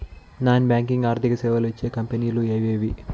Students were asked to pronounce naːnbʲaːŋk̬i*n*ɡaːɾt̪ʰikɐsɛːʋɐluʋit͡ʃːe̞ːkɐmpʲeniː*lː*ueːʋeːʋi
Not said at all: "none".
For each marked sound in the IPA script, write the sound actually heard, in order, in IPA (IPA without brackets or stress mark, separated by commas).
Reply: ŋ, l